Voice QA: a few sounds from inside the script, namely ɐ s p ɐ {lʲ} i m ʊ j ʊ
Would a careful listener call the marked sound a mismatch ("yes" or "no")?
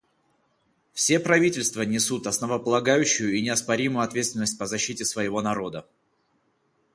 yes